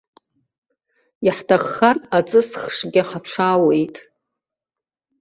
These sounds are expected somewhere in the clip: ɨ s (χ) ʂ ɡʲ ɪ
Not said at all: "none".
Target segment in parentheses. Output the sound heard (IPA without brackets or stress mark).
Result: χ